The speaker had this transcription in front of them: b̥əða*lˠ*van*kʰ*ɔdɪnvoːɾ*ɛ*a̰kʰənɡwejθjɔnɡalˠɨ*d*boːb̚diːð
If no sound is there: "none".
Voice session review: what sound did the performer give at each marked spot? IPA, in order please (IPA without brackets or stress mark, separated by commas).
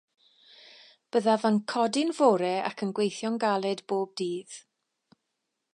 none, kʰ, ɛ, d